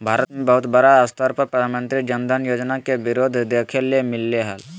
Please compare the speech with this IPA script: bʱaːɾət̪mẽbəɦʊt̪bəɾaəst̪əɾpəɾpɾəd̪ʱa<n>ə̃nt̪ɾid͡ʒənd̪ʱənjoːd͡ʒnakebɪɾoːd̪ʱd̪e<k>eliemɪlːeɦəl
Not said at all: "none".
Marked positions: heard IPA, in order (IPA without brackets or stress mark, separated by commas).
m, kʰ